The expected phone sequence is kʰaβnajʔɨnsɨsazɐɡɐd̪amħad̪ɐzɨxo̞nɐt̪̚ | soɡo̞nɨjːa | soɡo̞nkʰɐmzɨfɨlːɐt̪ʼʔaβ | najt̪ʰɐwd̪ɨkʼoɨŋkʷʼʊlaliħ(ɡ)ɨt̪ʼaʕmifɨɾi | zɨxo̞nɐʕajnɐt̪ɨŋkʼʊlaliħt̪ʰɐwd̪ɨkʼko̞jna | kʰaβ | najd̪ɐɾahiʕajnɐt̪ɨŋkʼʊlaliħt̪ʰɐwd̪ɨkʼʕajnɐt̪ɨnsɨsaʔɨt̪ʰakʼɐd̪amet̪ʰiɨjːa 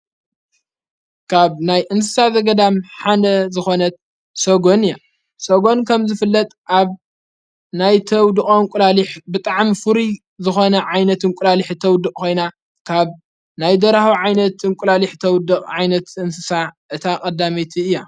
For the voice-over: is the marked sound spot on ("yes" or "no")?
no